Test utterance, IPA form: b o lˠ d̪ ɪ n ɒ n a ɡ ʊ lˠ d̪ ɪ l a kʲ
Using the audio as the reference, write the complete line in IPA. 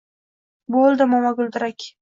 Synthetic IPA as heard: b o lˠ d̪ ɪ m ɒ m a ɡ ʊ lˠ d̪ ɪ ɾ a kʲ